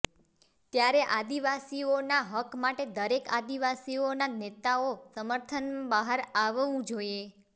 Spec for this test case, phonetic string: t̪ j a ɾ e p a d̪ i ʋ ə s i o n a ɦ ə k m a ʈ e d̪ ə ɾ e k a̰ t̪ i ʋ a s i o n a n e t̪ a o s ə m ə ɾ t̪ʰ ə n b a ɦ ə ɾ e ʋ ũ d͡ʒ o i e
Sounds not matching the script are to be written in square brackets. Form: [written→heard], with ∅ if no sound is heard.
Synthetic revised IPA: t̪ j a ɾ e [p→ʔ] a d̪ i ʋ [ə→a] s i o n a ɦ ə k m a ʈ e d̪ ə ɾ e k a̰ [t̪→d̪] i ʋ a s i o n a n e t̪ a o s ə m ə ɾ t̪ʰ ə n b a ɦ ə ɾ [e→a] ʋ ũ d͡ʒ o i e